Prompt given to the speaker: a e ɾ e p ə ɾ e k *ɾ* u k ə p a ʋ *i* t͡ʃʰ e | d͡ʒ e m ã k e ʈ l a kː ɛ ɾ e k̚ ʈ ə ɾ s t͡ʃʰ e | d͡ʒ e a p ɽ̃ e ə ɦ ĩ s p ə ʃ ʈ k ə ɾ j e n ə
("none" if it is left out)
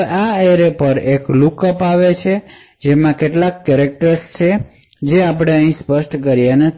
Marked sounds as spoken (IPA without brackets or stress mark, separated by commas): l, e